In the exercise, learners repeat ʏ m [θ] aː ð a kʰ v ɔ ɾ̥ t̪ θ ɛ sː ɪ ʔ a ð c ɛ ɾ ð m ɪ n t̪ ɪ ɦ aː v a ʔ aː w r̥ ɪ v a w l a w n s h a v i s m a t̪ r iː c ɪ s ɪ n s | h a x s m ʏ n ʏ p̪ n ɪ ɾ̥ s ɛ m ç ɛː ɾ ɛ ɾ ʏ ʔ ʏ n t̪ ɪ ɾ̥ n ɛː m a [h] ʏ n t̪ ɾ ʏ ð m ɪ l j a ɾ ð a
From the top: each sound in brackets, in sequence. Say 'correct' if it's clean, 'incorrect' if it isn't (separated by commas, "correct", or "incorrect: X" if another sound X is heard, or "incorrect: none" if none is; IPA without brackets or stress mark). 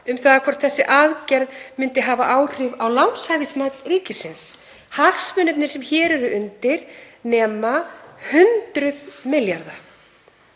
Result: correct, correct